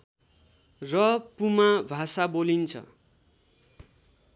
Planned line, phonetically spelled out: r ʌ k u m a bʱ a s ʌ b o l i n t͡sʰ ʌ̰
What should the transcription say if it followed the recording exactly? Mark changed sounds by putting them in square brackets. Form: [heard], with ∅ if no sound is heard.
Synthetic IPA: r ʌ [p] u m a bʱ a s [a] b o l i n t͡sʰ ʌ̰